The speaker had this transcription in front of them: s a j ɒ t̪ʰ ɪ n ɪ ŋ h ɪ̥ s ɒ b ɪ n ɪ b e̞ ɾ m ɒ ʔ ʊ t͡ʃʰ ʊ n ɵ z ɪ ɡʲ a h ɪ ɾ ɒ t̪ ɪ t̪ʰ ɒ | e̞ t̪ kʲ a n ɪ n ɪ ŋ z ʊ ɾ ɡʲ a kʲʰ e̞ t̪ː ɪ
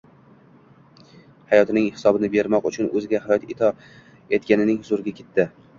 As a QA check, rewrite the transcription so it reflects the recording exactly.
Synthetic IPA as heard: h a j ɒ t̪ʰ ɪ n ɪ ŋ h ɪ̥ s ɒ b ɪ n ɪ b e̞ ɾ m ɒ q ʊ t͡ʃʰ ʊ n ɵ z ɪ ɡʲ a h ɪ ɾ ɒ t̪ ɪ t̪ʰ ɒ | e̞ t̪ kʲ a n ɪ n ɪ ŋ z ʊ ɾ ɡʲ a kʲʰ e̞ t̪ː ɪ